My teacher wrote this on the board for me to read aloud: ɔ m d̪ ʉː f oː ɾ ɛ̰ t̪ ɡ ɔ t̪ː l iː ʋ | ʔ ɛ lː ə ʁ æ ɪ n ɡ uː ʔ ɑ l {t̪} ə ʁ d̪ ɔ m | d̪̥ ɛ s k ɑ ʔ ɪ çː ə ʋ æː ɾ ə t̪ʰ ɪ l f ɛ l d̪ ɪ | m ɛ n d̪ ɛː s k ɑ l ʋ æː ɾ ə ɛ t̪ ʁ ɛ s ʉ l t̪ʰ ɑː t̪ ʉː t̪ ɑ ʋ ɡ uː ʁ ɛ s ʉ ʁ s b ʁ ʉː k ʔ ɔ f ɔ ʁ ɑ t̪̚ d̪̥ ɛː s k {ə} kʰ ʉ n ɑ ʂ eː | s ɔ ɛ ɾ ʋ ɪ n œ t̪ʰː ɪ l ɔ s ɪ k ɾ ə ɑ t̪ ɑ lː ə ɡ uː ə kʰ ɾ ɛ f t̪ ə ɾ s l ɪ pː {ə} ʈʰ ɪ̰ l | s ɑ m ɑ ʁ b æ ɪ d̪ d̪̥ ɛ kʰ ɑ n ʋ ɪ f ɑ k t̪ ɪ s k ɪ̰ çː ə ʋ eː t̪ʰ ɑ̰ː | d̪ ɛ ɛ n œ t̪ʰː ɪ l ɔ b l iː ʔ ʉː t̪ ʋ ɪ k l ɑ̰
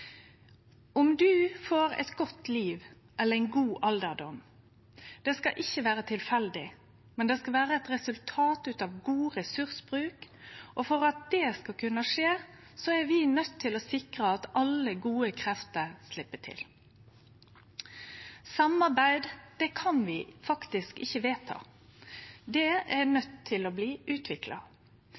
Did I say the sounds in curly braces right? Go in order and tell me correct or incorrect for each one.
incorrect: d̪, incorrect: ɑ, correct

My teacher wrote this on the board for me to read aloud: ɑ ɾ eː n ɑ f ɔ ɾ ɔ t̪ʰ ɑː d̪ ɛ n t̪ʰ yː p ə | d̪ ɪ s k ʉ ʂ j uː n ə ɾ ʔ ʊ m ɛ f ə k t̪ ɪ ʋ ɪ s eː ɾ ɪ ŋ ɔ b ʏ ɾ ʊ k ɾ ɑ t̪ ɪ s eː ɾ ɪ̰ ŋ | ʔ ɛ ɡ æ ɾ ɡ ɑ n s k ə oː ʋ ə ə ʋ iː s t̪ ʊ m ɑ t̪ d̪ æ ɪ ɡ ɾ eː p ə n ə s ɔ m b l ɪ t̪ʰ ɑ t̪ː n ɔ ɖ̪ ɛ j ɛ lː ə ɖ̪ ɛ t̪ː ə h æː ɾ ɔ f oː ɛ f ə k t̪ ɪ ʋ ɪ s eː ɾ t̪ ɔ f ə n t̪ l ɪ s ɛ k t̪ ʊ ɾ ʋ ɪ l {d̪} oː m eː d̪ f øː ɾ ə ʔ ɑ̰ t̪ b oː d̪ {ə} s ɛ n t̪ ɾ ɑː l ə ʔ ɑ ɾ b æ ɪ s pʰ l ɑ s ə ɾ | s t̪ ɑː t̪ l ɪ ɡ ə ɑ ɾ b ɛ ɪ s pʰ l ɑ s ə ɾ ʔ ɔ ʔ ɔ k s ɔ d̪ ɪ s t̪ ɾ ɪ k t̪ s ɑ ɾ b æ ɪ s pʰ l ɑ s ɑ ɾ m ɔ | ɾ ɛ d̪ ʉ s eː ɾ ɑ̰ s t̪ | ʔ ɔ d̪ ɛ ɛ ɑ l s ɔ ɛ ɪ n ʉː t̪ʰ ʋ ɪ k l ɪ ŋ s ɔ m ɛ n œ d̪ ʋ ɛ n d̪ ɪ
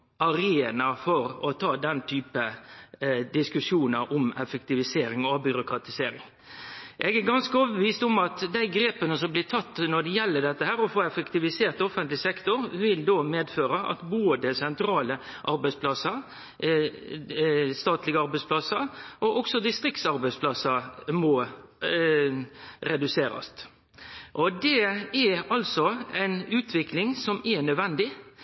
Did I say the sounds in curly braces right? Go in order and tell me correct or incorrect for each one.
correct, correct

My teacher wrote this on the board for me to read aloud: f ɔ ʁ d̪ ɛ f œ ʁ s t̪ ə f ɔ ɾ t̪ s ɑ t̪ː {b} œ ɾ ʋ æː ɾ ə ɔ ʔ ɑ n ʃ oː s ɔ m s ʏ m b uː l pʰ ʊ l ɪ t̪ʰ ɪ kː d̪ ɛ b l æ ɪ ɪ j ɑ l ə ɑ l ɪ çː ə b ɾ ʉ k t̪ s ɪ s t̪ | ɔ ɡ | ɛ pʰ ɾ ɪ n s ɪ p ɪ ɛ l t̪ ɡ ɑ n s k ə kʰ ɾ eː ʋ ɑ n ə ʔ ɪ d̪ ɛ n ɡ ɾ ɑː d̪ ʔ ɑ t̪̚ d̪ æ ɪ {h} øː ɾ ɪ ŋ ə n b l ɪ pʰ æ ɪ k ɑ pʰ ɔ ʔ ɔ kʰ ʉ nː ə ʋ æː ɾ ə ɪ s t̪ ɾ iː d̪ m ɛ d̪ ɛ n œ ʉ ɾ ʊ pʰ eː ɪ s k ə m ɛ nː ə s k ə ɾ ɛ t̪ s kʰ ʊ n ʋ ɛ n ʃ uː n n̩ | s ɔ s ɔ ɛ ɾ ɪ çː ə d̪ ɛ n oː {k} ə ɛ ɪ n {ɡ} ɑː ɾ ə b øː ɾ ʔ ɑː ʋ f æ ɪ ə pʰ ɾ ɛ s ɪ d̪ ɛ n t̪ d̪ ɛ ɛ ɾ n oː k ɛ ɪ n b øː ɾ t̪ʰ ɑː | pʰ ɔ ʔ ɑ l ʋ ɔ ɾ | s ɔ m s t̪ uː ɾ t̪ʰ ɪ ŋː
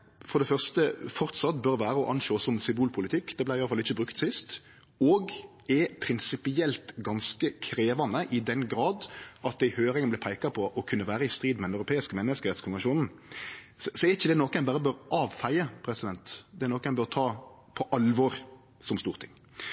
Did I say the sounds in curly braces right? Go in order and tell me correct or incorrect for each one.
correct, correct, correct, incorrect: b

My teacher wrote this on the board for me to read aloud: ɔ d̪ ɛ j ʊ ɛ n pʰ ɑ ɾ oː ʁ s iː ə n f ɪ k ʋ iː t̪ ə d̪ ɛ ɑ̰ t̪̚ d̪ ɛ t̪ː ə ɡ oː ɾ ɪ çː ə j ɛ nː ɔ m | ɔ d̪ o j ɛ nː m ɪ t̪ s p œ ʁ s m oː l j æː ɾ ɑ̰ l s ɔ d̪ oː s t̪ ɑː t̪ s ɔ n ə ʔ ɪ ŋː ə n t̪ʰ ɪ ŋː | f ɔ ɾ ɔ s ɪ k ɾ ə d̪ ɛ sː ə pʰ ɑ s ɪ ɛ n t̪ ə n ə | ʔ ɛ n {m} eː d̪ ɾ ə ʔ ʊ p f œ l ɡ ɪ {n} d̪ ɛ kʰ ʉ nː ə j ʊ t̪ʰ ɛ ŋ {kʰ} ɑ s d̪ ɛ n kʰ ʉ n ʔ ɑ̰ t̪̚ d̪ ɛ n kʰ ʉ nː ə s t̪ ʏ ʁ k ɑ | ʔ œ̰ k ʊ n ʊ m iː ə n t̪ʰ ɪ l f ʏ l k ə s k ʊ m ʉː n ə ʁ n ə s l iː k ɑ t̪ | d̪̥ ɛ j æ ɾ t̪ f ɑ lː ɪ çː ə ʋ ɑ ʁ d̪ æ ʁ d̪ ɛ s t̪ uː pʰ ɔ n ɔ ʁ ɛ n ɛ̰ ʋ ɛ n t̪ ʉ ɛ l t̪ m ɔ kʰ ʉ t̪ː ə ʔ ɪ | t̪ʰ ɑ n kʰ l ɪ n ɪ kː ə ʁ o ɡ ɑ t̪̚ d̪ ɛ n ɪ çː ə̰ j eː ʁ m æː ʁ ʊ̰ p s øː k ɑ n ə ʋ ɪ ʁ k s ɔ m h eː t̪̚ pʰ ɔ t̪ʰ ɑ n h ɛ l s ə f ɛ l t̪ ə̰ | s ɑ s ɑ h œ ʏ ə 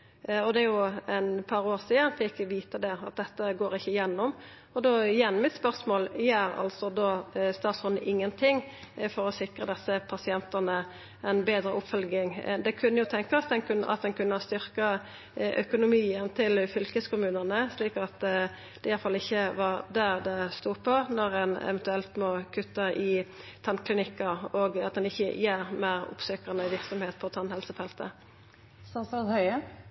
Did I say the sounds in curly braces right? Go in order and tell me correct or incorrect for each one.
incorrect: b, incorrect: ŋ, incorrect: k

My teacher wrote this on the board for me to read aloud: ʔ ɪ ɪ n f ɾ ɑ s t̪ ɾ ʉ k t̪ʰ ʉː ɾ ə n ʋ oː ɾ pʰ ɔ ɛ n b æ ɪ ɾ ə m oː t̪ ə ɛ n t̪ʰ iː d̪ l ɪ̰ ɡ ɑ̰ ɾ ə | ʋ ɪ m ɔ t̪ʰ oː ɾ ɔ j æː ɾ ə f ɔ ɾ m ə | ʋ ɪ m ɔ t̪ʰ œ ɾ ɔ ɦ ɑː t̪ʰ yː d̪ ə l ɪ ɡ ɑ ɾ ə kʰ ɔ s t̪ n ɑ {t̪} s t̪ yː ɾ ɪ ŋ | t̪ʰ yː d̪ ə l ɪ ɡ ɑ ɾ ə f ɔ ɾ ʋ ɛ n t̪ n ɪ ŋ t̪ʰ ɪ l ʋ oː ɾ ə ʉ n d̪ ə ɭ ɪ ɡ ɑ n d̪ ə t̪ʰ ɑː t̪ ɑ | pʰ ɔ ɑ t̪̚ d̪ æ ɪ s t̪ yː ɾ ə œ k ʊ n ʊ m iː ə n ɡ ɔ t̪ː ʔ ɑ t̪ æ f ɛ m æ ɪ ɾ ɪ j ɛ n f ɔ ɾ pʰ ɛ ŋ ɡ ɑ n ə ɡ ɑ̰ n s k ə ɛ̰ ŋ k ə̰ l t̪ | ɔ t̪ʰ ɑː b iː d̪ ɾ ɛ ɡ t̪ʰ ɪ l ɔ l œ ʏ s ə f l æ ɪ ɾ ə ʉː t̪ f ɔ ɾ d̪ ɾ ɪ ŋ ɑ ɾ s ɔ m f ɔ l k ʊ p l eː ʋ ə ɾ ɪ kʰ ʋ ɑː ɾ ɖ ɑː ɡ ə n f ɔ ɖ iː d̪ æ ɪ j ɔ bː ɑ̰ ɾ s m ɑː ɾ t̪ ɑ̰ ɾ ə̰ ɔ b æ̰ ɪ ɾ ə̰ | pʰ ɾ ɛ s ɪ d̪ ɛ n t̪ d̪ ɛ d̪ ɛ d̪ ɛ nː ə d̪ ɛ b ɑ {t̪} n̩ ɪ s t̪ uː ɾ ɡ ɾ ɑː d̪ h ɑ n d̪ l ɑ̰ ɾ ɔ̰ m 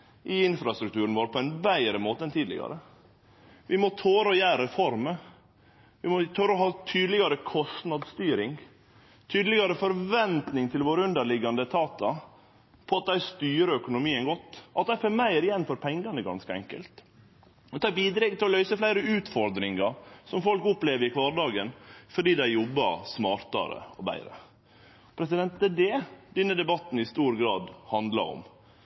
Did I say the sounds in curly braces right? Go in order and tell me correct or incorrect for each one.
incorrect: d̪, correct

